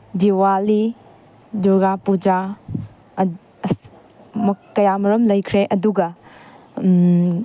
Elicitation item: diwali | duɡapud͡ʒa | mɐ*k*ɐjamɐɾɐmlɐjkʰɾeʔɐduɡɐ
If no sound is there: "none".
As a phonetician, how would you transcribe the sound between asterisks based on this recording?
k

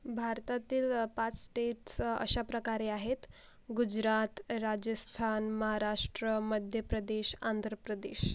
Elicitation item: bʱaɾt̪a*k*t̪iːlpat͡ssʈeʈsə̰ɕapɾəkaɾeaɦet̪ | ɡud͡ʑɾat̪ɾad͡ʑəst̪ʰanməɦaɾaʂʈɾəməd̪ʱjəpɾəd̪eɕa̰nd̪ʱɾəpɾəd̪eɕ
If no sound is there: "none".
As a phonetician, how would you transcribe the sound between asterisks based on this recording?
none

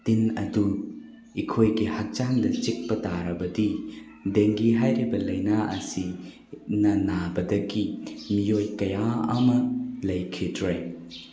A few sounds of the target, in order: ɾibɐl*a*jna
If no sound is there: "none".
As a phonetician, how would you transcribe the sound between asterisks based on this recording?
ɐ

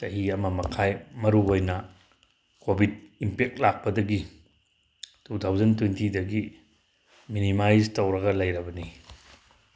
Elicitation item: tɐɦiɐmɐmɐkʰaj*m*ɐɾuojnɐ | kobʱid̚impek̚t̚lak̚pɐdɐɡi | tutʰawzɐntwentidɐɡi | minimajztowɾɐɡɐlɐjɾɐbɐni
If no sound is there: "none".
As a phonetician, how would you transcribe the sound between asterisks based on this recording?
m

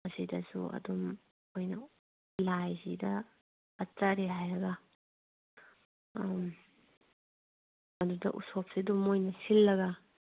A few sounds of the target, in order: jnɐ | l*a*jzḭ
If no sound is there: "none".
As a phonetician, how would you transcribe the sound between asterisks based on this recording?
a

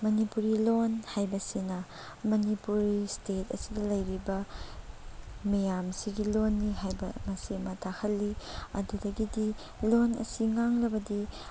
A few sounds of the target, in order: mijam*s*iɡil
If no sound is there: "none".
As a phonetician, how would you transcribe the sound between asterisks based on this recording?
s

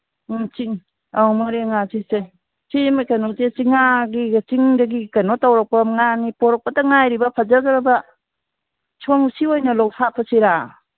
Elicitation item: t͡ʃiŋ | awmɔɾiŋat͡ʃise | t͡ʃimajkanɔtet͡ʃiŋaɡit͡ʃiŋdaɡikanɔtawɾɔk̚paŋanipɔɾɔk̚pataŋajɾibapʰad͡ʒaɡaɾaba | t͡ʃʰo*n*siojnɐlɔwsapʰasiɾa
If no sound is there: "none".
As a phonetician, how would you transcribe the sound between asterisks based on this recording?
ŋ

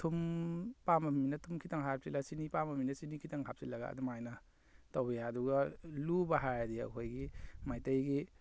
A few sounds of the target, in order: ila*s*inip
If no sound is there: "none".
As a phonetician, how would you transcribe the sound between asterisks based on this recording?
s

